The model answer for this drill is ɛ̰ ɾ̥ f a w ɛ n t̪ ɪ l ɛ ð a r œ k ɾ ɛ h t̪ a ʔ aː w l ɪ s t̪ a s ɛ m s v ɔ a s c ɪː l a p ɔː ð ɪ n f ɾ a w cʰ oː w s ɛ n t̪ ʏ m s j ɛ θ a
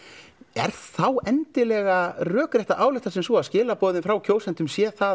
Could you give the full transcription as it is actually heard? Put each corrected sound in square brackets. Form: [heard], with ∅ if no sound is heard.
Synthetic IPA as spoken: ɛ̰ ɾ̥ [θ] a w ɛ n t̪ ɪ l ɛ [ɣ] a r [œː] k ɾ ɛ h t̪ a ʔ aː w l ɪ [h] t̪ a s ɛ m s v ɔ a s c ɪː l a p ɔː ð ɪ n f ɾ a w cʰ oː w s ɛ n t̪ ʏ m s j ɛ θ a